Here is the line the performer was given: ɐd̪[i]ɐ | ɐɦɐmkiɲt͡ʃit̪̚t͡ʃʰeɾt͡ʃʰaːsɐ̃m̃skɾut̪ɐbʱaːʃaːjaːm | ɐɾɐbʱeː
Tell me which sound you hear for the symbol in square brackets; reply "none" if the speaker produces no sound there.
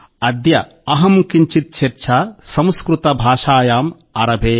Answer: j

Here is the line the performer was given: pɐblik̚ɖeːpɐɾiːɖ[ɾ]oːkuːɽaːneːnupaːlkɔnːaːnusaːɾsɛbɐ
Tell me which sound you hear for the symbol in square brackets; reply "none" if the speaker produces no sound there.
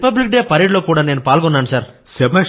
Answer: l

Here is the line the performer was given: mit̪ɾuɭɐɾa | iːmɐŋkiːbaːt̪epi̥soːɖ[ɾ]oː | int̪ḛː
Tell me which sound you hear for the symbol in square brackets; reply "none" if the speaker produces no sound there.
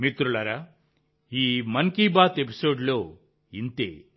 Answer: l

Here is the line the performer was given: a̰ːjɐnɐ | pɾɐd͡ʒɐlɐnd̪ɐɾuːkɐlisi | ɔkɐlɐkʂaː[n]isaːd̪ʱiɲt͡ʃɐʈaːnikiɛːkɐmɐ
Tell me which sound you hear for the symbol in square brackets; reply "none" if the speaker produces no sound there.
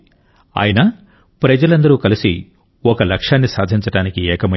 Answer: nː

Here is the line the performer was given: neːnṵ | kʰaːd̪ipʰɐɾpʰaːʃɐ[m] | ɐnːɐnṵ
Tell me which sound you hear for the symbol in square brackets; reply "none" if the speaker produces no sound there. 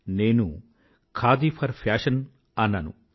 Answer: n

